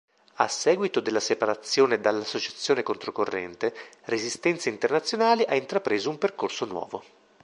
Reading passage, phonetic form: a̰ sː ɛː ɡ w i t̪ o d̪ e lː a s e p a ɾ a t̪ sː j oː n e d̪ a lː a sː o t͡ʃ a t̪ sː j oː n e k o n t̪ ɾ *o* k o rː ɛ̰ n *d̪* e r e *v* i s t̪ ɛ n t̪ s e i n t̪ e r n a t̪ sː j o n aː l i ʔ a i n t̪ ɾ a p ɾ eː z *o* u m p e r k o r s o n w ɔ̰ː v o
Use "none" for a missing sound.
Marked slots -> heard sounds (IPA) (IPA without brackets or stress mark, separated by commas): o, t̪, z, o